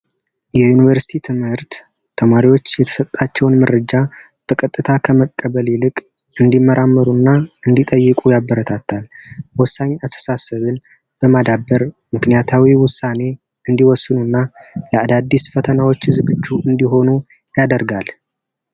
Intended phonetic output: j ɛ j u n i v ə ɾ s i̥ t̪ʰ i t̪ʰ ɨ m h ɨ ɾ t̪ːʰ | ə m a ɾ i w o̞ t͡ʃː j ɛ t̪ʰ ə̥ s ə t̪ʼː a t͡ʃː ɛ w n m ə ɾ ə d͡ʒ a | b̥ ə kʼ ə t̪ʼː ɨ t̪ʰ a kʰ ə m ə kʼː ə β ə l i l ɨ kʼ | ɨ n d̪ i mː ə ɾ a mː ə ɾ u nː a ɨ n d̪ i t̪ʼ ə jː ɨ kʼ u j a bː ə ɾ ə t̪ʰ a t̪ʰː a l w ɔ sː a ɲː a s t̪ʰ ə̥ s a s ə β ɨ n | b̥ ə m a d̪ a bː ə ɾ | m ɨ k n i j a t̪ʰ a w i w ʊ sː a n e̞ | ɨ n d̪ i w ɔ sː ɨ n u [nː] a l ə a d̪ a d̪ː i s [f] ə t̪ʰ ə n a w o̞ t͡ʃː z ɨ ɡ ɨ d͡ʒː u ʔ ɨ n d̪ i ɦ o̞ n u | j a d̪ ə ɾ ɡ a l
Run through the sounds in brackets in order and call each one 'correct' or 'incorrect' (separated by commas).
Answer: correct, correct